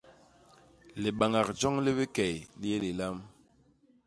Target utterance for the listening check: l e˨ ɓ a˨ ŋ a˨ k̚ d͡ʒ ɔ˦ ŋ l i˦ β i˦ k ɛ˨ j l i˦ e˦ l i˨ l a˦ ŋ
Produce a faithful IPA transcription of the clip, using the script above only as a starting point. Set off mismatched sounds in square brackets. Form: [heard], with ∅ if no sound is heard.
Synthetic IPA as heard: l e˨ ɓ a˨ ŋ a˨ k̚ d͡ʒ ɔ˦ ŋ l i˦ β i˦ k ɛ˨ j l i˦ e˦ l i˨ l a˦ [m]